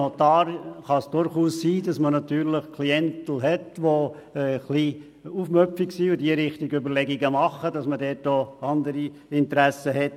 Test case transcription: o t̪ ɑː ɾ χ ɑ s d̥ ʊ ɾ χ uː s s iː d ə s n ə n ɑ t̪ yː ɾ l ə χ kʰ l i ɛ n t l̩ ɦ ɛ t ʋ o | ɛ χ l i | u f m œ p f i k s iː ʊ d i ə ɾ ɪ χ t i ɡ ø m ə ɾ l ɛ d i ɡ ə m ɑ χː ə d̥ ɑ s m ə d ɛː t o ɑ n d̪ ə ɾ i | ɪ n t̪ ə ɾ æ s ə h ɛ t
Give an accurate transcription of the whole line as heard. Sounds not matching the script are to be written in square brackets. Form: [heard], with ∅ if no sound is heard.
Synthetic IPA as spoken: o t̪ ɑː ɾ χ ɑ s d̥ ʊ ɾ χ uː s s iː d [ɑ] s [m] ə n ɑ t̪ yː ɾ l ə χ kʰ l i ɛ n t l̩ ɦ ɛ t ʋ o | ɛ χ l i | u f m œ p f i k s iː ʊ d i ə ɾ ɪ χ t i ɡ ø [b] ə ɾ l ɛ [ɡ] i ɡ ə m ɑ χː ə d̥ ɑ s m ə d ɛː t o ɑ n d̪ ə ɾ i | ɪ n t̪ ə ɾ æ s ə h ɛ t